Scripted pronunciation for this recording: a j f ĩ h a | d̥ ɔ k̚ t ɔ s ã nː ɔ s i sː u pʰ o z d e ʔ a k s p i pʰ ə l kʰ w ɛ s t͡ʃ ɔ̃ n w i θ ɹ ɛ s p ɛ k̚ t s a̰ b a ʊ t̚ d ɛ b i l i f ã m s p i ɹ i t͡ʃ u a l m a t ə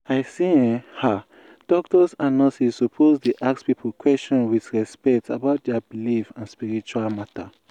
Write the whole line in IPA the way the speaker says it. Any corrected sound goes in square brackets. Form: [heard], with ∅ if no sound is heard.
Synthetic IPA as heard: a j [s] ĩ h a | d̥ ɔ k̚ t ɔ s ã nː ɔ s i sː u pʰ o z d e ʔ a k s p i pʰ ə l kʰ w ɛ s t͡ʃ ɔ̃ n w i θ ɹ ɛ s p ɛ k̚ t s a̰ b a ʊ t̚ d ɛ b i l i f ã [n] s p i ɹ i t͡ʃ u a l m a t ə